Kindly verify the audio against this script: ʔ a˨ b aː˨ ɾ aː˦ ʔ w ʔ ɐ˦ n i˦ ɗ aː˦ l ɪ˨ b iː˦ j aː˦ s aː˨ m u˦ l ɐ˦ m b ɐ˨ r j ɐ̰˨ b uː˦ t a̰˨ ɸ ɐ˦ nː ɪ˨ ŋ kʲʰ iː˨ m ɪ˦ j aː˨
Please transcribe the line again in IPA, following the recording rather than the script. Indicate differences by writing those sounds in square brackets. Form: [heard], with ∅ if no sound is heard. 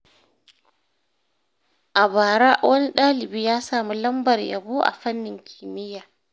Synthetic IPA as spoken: ʔ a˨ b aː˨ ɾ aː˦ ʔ w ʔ ɐ˦ n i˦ ɗ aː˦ l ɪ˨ b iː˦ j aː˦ s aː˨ m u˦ l ɐ˦ m b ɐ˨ r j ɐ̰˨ b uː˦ [ʔ] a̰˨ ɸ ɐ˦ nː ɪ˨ ŋ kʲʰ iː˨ m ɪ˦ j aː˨